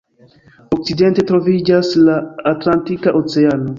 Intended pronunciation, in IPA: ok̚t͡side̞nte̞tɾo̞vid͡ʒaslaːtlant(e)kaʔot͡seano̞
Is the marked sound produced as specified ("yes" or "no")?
no